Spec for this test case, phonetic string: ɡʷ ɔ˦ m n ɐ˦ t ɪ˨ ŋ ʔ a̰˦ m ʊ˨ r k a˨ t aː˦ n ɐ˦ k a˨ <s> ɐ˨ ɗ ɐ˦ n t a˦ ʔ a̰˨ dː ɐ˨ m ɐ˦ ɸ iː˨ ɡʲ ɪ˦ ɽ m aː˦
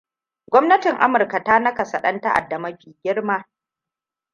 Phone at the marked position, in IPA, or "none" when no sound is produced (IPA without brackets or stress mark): s